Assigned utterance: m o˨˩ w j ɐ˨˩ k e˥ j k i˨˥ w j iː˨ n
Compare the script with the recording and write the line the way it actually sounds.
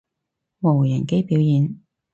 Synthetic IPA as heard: m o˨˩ w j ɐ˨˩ k e˥ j p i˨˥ w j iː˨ n